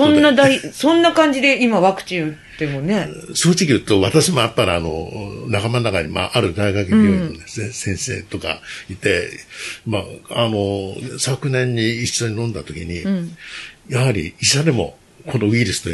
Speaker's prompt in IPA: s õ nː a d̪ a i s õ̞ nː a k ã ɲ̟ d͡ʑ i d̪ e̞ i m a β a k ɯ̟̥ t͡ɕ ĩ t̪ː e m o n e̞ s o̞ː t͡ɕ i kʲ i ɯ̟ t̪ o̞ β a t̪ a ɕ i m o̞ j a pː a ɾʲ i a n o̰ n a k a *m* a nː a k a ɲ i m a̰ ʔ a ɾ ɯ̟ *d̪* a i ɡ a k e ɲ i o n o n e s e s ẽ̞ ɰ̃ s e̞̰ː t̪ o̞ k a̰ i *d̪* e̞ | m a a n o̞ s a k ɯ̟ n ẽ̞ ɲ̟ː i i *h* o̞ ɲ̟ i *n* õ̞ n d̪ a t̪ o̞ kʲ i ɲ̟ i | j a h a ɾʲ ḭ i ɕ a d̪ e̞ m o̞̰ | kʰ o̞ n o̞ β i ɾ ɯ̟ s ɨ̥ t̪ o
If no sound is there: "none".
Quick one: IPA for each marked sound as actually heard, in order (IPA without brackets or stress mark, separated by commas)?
m, d̪, t̪, ɕ, n